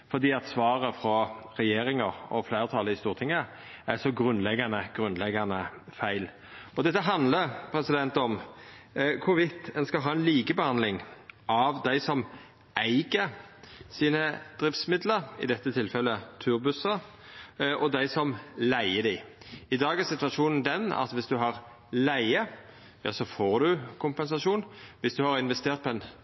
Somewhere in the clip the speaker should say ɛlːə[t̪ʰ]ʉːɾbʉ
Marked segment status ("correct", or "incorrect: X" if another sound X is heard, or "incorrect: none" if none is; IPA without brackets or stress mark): correct